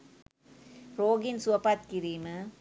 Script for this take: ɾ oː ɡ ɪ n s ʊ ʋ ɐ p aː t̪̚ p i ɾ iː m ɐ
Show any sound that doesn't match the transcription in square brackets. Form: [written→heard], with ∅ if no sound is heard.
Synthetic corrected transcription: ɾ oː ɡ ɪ n s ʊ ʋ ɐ p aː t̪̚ [p→k] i ɾ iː m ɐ